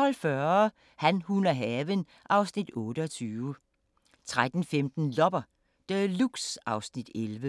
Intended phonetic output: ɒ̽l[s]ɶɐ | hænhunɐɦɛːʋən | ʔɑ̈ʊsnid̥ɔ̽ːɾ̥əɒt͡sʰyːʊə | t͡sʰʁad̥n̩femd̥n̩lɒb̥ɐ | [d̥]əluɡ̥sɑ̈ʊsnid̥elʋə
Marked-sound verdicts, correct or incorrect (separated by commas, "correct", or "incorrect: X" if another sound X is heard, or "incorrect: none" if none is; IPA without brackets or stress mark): incorrect: f, correct